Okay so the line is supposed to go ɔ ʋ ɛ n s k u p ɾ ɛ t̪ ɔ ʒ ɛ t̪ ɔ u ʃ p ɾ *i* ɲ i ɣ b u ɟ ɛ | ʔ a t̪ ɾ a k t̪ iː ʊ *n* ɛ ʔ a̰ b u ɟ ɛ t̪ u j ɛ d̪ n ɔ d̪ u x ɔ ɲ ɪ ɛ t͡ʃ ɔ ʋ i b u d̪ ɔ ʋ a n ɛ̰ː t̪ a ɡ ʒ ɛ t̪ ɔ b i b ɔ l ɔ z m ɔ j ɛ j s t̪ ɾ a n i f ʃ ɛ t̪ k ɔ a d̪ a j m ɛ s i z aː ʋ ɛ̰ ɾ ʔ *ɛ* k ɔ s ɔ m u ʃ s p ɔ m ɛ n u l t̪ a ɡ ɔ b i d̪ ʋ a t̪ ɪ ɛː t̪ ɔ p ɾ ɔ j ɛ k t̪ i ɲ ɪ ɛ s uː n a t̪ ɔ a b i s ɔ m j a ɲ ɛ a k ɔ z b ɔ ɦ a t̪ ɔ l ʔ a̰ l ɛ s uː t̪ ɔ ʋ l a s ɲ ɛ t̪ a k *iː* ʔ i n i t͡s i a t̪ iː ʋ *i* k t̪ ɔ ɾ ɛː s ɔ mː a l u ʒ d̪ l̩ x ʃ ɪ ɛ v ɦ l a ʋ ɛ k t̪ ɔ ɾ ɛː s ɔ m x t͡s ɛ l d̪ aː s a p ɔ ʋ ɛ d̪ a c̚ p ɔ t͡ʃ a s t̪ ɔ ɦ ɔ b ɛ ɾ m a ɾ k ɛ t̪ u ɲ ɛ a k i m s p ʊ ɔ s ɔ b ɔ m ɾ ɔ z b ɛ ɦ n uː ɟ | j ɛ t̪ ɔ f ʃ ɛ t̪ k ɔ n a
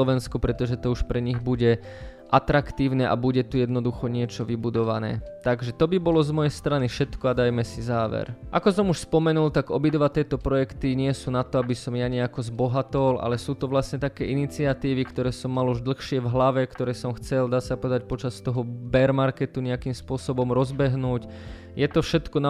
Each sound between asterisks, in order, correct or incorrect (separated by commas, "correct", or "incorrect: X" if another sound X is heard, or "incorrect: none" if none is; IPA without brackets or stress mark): incorrect: ɛ, correct, incorrect: a, incorrect: ɛː, correct